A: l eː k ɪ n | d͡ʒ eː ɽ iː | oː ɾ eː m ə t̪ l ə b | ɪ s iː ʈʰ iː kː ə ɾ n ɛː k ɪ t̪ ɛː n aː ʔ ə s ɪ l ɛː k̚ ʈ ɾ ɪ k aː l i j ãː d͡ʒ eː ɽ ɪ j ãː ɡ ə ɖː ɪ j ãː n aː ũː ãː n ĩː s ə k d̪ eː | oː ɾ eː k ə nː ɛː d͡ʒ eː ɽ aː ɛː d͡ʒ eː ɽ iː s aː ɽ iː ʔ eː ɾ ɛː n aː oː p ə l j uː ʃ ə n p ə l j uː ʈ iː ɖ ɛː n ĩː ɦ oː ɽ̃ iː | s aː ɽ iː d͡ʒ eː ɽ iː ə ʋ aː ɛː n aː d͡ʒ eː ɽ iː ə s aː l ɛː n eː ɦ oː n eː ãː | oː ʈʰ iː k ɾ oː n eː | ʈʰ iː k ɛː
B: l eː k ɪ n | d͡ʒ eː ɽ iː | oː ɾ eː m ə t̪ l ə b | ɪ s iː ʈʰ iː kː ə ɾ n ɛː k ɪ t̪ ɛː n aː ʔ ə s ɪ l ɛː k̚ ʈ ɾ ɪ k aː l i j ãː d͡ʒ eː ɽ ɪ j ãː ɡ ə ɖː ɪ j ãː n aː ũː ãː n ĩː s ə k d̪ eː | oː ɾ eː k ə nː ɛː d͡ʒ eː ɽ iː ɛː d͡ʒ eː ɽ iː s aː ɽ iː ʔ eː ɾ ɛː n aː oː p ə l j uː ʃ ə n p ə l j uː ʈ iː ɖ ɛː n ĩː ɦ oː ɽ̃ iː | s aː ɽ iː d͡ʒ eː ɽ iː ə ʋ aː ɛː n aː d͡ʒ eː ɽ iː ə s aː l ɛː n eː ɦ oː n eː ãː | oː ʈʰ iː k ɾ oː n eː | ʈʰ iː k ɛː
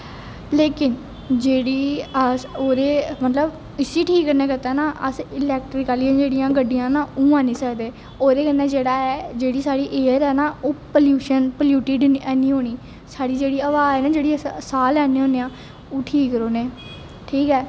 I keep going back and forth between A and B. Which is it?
A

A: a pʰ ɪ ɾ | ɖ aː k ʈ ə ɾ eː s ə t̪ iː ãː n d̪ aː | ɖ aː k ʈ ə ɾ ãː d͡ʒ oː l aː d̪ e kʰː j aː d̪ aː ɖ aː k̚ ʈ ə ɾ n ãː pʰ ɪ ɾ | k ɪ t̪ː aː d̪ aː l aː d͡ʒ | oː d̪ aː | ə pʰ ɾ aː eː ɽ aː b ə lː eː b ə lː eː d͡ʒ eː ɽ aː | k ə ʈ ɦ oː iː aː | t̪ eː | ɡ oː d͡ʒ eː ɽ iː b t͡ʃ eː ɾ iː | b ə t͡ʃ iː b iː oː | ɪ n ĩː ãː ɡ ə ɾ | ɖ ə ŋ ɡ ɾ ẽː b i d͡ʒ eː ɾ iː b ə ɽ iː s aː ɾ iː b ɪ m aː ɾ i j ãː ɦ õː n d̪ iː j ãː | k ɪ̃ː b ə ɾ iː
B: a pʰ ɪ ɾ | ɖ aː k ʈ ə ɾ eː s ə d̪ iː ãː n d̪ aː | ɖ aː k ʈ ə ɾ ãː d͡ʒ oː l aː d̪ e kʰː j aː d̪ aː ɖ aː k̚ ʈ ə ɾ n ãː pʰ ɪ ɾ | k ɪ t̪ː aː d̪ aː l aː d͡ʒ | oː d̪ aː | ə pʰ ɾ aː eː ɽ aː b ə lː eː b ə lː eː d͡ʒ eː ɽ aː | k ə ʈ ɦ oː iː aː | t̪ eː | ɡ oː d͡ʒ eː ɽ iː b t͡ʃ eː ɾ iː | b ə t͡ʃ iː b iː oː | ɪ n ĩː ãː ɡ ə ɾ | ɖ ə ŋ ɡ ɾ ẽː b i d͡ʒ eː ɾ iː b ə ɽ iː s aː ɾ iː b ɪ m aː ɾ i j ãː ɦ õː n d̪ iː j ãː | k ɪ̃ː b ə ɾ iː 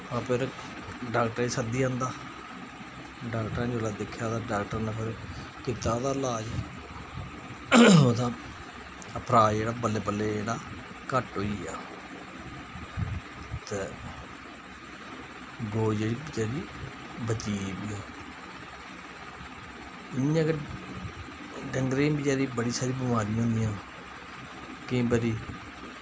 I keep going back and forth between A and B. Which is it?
B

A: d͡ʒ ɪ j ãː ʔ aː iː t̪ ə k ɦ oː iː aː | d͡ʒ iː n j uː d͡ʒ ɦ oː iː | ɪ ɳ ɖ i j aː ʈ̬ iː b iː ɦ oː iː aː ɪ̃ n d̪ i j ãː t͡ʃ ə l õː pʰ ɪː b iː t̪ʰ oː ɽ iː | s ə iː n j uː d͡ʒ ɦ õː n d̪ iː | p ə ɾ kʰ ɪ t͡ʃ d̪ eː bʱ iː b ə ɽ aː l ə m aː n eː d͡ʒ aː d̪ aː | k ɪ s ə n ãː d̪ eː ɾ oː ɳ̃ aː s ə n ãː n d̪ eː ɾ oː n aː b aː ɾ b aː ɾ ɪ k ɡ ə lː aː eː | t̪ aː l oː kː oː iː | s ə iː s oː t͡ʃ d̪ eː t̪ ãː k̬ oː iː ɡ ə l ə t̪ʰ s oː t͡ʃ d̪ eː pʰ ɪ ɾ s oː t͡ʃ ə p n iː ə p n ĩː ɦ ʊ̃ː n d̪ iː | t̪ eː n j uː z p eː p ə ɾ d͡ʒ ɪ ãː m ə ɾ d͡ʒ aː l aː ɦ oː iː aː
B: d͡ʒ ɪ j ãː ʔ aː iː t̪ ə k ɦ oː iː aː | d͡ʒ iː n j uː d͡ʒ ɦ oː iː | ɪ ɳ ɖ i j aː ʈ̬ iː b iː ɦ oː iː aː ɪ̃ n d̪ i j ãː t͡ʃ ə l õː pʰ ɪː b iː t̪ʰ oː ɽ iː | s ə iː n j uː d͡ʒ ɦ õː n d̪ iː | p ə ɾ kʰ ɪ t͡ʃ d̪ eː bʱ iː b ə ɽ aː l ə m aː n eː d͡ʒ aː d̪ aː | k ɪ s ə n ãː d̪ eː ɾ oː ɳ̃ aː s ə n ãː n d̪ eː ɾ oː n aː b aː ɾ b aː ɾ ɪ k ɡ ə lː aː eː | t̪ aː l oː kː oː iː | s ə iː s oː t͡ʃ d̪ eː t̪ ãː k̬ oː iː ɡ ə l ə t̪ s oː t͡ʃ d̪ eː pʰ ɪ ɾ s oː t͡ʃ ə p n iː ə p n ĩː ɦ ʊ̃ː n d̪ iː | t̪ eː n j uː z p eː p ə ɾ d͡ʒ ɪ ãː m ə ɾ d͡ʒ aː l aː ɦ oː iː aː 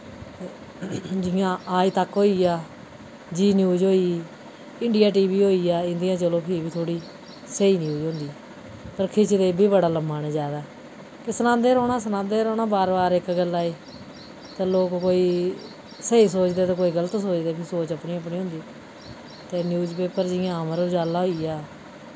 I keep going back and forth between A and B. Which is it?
B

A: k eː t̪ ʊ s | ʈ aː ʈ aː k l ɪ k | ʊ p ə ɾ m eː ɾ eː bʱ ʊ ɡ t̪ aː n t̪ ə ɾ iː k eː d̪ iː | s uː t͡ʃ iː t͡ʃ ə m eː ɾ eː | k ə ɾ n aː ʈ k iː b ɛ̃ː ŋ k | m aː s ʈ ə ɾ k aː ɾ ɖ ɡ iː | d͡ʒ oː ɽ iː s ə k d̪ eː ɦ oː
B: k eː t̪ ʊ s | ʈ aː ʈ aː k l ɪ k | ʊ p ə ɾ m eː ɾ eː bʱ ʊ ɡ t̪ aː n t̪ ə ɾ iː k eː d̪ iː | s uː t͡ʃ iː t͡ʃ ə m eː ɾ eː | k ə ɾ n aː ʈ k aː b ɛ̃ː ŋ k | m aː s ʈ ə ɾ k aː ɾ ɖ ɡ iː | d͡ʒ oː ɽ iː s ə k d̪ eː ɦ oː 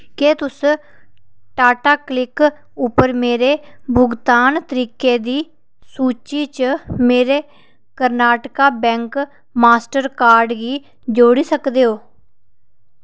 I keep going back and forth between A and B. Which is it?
B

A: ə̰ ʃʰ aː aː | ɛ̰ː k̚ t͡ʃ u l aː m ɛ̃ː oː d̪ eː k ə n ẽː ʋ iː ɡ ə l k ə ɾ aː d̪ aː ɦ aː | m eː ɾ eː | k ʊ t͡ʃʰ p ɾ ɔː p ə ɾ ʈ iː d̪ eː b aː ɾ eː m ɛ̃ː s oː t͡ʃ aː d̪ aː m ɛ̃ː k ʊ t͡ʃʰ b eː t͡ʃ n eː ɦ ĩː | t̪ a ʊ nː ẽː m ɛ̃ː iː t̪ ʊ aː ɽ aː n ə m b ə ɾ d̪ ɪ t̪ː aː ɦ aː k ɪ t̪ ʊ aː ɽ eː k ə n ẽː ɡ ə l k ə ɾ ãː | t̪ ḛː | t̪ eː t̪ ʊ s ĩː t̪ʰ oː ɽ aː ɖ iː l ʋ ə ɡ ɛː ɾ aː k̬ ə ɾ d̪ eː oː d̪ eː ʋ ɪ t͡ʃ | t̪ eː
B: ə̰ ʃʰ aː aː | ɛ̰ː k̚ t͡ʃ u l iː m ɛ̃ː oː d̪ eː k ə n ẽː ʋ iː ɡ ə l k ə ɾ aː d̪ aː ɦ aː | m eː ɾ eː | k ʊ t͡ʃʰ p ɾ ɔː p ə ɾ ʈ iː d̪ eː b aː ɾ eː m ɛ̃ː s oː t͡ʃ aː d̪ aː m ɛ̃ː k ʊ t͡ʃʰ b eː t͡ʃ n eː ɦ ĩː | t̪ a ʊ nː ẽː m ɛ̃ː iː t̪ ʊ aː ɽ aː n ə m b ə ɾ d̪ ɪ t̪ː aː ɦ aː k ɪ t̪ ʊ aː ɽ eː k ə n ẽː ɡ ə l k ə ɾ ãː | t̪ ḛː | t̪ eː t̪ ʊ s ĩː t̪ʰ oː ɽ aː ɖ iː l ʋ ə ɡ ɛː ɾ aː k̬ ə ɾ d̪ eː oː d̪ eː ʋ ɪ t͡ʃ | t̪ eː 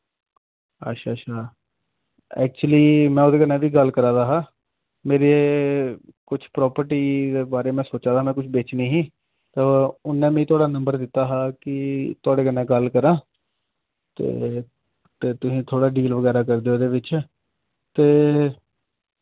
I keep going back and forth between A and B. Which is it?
B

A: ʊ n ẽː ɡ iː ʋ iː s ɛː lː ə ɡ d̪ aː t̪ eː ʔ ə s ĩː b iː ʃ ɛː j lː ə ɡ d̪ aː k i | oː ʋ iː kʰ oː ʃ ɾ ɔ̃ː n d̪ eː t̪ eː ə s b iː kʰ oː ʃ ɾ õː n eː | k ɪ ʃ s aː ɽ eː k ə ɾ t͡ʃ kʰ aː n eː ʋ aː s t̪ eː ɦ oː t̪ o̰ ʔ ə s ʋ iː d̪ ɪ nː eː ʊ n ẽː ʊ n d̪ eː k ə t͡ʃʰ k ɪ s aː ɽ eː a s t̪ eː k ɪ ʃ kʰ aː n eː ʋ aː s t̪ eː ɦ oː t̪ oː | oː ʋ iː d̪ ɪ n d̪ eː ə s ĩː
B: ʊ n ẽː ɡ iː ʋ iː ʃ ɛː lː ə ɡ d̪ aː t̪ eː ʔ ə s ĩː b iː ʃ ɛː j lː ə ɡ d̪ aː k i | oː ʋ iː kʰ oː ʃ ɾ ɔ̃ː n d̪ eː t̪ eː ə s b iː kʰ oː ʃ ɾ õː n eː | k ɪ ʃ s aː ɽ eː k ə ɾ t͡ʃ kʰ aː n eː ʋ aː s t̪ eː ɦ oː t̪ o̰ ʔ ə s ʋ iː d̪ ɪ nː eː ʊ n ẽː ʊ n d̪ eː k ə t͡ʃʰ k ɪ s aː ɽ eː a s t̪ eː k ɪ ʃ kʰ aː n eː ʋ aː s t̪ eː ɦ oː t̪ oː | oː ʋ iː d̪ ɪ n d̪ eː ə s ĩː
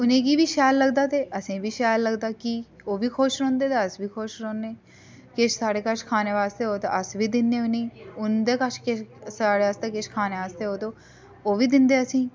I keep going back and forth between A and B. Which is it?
B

